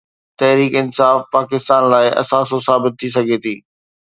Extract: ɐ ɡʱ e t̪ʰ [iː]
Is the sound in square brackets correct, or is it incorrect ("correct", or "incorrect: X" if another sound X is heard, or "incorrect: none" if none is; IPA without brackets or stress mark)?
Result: correct